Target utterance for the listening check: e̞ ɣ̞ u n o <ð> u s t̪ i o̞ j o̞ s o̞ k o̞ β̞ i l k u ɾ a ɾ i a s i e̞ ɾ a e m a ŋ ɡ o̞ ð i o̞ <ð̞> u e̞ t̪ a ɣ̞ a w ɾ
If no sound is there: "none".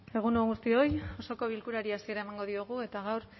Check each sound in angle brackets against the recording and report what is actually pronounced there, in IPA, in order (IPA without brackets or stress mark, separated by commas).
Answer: ɣ, ɣ̞